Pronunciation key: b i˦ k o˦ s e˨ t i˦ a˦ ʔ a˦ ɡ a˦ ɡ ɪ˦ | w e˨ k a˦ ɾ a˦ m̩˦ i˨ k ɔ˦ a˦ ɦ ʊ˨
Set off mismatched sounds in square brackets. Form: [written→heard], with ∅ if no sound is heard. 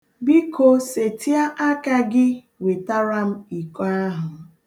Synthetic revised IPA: b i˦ k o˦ s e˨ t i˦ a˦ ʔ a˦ [ɡ→k] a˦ ɡ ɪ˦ | w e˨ [k→t] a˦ ɾ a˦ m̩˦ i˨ k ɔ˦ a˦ ɦ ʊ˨